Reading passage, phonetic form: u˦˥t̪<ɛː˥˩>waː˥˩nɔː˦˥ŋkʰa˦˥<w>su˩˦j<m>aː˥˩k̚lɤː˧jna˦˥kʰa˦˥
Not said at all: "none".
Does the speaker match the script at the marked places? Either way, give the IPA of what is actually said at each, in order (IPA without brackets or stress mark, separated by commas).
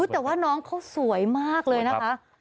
ɛː˨˩, w, m